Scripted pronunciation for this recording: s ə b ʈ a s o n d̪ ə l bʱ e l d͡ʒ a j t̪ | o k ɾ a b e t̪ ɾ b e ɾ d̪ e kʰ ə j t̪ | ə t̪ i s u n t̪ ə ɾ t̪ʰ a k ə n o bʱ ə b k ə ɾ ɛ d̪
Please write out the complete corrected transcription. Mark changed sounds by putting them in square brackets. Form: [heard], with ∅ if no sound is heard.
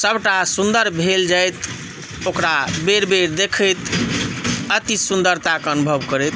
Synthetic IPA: s ə b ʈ a s [u] n d̪ ə [ɾ] bʱ e l d͡ʒ a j t̪ | o k ɾ a b e [∅] ɾ b e ɾ d̪ e kʰ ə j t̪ | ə t̪ i s u n [d̪] ə ɾ [t̪] a k ə n [u] bʱ ə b k ə ɾ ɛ [t̪]